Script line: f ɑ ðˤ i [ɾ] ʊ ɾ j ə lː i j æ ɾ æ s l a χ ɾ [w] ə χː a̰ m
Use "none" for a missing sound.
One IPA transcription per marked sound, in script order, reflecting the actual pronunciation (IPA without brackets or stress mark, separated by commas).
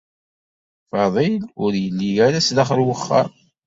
l, w